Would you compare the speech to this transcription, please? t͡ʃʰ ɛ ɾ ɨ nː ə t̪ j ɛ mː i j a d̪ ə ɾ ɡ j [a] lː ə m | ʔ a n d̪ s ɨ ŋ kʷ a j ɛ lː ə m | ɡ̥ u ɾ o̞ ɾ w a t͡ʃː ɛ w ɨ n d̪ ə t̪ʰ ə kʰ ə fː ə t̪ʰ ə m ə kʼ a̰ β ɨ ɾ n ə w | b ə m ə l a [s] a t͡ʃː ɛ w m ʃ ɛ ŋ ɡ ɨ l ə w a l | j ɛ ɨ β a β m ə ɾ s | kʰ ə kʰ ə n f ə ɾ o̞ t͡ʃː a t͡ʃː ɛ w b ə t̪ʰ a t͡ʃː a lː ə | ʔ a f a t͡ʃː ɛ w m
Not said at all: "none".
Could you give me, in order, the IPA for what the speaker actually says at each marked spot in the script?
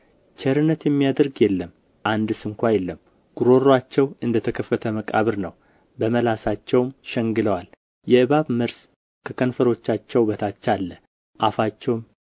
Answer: ɛ, s

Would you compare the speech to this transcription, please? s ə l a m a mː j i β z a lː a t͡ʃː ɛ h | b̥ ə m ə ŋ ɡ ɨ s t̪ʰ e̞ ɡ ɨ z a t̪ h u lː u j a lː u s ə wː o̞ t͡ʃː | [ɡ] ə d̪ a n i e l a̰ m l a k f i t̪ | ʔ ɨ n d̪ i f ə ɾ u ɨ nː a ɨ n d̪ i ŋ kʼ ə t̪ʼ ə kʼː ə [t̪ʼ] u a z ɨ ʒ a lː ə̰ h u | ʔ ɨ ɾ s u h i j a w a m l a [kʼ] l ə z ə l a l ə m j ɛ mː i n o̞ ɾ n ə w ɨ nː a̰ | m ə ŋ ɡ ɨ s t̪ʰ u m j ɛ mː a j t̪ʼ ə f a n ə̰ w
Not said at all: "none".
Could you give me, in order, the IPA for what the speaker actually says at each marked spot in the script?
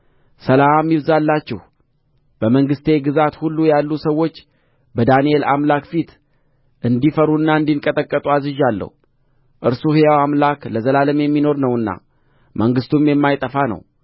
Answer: b, t̪ʼ, k

